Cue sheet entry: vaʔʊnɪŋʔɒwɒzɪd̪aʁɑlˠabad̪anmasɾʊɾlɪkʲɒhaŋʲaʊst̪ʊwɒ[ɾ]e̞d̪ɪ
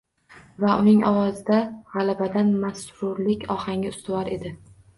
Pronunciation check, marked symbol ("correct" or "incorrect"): correct